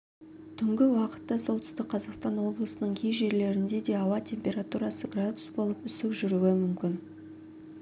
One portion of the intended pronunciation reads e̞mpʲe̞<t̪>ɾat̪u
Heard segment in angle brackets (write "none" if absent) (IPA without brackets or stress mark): none